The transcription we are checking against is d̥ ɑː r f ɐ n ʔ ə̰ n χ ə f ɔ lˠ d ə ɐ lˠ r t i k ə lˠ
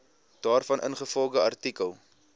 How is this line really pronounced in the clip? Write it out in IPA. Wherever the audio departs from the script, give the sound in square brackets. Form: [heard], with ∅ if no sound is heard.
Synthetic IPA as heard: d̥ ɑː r f ɐ n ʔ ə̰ n χ ə f ɔ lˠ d ə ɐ [∅] r t i k ə lˠ